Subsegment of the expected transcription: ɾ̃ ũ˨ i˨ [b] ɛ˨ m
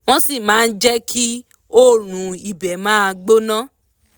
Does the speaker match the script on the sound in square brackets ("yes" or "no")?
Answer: yes